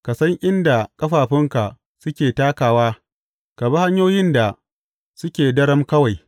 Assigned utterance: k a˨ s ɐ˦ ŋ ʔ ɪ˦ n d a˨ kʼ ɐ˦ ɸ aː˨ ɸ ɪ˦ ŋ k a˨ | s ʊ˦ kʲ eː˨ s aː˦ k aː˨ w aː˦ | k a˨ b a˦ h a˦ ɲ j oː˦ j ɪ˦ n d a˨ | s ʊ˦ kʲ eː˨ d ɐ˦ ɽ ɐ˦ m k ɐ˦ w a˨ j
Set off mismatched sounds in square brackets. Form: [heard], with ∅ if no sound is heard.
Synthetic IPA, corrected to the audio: k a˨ s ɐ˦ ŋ ʔ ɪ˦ n d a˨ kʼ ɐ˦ ɸ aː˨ ɸ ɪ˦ ŋ k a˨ | s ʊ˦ kʲ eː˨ [t] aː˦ k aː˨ w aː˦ | k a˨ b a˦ h a˦ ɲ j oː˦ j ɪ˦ n d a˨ | s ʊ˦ kʲ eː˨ d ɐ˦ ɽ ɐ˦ m k ɐ˦ w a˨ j

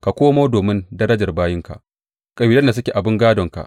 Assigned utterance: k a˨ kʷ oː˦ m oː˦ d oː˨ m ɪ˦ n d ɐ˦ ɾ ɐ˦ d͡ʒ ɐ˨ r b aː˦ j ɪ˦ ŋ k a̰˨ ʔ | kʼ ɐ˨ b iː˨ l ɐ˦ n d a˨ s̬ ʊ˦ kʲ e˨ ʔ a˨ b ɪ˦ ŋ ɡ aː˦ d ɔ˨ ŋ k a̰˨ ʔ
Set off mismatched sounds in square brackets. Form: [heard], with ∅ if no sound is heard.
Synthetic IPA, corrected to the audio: k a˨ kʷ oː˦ m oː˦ d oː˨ m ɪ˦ n d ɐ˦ ɾ ɐ˦ d͡ʒ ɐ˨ r b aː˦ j ɪ˦ ŋ k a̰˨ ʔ | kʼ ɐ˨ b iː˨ l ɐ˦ n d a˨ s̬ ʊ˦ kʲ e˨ ʔ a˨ b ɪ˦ ŋ ɡ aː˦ d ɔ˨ ŋ k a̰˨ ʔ

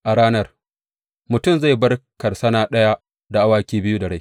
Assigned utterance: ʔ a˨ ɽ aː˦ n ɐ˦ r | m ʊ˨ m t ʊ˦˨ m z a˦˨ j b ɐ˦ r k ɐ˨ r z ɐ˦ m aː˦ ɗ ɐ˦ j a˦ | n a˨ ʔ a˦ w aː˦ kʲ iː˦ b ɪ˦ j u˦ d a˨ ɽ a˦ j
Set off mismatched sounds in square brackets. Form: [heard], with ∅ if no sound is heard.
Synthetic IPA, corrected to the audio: ʔ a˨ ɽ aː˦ n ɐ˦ r | m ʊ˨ [∅] t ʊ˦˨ m z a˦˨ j b ɐ˦ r k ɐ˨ r [s] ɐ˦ [n] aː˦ ɗ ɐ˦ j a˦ | [d] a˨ ʔ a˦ w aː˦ kʲ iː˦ b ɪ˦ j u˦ d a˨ ɽ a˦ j

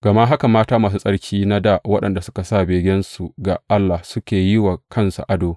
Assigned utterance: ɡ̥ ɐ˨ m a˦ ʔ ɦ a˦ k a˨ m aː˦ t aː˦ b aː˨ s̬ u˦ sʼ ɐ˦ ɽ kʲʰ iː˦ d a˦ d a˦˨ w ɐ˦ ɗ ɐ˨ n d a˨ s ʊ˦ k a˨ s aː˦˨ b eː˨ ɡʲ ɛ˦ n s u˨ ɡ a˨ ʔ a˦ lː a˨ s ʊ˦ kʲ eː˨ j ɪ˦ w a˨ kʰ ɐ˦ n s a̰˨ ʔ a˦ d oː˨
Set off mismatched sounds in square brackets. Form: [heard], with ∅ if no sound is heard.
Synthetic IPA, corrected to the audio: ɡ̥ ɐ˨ m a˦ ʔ ɦ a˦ k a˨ m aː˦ t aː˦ [m] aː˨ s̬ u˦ sʼ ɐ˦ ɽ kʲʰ iː˦ [n] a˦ d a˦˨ w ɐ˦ ɗ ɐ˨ n d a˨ s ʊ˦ k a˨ s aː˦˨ b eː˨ ɡʲ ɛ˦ n s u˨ ɡ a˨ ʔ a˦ lː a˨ s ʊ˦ kʲ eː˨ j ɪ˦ w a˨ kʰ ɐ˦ n s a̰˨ ʔ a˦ d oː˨

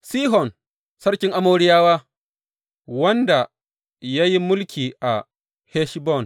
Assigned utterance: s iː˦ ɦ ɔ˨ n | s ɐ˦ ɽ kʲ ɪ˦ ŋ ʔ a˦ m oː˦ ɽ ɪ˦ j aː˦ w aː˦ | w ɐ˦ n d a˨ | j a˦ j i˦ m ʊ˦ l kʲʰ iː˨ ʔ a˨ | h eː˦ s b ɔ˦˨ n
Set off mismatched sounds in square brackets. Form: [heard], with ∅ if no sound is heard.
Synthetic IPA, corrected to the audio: s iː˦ ɦ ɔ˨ n | s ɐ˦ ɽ kʲ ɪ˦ ŋ ʔ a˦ m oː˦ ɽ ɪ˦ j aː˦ w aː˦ | w ɐ˦ n d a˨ | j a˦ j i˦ m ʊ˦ l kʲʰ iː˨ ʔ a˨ | h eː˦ [ʃ] b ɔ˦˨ n

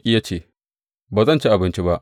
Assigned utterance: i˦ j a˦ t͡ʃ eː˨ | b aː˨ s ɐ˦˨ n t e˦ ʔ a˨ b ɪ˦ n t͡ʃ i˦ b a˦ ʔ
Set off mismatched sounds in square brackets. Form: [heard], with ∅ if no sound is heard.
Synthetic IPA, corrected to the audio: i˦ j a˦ t͡ʃ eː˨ | b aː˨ [z] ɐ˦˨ n [t͡ʃ] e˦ ʔ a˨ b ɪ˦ n t͡ʃ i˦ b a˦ ʔ

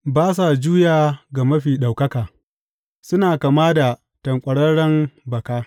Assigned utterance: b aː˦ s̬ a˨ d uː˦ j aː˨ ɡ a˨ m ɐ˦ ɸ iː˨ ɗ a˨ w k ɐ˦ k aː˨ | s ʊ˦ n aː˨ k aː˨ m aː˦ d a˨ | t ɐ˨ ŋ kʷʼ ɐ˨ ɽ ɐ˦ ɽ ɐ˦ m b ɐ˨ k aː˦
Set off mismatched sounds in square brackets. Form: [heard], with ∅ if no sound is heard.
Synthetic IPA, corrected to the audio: b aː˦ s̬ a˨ [d͡ʒ] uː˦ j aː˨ ɡ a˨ m ɐ˦ ɸ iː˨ ɗ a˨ w k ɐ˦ k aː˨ | s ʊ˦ n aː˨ k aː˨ m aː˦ d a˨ | t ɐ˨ ŋ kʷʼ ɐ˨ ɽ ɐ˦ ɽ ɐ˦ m b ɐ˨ k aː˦

